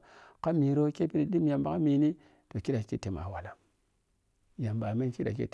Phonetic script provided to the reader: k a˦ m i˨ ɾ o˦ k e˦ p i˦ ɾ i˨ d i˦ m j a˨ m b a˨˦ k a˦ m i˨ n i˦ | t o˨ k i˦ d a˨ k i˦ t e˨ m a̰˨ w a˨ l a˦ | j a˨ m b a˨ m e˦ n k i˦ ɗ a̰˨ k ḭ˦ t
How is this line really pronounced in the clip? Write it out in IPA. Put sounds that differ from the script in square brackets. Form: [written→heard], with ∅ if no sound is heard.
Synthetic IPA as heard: k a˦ m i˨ ɾ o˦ k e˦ p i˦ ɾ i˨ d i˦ m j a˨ m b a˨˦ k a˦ m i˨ n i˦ | t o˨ k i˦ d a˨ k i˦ t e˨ m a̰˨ w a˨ l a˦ | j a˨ m b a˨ m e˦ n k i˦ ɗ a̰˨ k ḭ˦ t